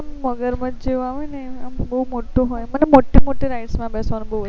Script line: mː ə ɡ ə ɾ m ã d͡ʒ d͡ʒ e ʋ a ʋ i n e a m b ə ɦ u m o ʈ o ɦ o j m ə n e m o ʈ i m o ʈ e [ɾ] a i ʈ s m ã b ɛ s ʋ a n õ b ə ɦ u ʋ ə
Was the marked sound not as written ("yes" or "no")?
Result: no